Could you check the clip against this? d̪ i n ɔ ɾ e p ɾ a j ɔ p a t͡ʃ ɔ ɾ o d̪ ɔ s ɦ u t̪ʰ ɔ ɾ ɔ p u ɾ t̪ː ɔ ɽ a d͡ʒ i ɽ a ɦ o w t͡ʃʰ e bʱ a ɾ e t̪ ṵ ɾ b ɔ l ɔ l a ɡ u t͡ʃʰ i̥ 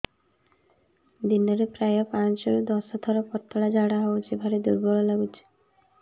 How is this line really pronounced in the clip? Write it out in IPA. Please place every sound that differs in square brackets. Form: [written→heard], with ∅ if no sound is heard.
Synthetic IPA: d̪ i n ɔ ɾ e p ɾ a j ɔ p a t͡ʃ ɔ ɾ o d̪ ɔ s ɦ [u→ɔ] t̪ʰ ɔ ɾ ɔ p [u→ɔ] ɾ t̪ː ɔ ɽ a d͡ʒ [i→a] ɽ a ɦ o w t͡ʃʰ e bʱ a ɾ e [t̪→d̪] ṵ ɾ b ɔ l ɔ l a ɡ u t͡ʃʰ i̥